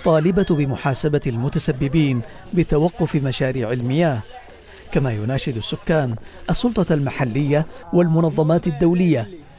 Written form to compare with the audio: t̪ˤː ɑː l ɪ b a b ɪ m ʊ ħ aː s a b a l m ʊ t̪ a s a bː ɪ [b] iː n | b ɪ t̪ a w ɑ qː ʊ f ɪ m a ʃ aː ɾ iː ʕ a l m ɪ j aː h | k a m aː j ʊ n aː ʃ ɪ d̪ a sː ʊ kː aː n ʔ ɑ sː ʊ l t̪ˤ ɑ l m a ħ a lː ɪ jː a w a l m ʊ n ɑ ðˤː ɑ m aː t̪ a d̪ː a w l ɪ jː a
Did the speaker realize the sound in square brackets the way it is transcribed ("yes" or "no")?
yes